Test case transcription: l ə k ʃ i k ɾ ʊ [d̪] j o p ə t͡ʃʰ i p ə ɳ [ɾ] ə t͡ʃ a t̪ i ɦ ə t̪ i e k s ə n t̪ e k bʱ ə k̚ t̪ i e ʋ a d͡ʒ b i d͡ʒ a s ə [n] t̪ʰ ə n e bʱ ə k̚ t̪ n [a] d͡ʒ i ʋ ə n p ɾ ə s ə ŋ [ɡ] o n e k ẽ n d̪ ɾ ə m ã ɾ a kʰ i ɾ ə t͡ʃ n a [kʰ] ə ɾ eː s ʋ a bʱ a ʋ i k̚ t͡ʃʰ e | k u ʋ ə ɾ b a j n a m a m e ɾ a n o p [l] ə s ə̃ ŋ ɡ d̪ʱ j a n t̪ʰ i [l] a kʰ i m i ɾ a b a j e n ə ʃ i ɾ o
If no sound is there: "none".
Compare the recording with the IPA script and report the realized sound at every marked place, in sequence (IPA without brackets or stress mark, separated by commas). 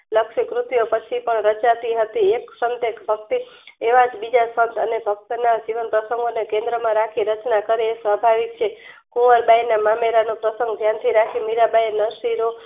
t̪, ɾ, n, a, ɡ, k, ɾ, ɾ